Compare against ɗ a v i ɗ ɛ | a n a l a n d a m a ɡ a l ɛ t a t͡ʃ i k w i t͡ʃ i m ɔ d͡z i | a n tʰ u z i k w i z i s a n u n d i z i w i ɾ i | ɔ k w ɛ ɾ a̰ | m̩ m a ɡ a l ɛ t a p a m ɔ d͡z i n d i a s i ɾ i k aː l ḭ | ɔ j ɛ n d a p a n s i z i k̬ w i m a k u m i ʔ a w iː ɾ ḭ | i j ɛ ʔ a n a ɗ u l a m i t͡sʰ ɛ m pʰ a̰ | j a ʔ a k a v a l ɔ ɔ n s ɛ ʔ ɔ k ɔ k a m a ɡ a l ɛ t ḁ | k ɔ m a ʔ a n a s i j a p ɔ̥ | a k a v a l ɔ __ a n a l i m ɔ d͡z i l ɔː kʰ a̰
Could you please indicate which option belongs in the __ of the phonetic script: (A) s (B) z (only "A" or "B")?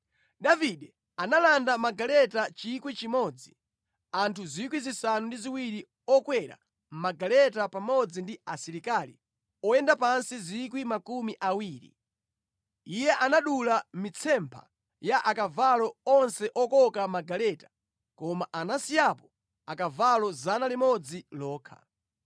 B